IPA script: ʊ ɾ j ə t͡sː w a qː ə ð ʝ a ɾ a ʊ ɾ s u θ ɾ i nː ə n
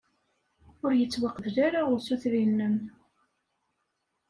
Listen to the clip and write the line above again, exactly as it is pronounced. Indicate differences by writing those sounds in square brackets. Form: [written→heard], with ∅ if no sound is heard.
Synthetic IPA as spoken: ʊ ɾ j ə t͡sː w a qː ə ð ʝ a ɾ a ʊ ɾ s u θ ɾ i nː ə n